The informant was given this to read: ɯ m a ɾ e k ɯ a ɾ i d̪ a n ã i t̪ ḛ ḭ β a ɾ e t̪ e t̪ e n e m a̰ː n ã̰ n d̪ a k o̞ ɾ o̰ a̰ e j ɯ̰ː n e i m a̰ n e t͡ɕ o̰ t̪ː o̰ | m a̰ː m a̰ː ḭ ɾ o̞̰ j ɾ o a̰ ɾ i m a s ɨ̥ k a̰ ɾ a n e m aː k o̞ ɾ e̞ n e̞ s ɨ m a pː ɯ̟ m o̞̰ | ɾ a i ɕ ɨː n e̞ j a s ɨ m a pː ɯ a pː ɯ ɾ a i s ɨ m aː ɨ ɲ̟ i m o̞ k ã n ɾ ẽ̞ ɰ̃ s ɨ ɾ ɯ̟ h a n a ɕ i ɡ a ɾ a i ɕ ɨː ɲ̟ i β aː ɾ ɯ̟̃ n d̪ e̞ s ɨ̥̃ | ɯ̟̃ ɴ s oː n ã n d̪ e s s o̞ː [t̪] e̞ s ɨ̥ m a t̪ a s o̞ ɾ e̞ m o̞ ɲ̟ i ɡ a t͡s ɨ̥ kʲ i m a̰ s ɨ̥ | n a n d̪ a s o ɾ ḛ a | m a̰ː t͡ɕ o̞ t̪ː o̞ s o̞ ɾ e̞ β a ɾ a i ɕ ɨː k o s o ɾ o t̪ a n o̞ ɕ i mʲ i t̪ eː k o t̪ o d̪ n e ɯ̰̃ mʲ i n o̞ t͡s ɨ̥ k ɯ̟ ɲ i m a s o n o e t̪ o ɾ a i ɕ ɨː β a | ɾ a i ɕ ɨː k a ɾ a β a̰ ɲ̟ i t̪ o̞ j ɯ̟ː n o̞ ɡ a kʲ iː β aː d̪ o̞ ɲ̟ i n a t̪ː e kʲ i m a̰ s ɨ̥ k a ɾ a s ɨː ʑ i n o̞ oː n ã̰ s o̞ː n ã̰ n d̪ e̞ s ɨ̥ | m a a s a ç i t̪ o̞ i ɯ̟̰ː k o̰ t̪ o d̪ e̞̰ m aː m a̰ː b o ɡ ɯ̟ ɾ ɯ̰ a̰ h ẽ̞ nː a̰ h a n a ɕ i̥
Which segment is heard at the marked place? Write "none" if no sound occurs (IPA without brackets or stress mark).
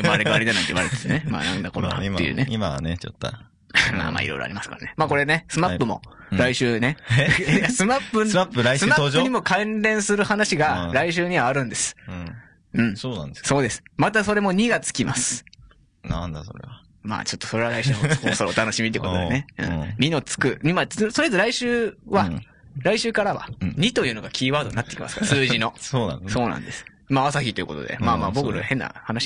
d̪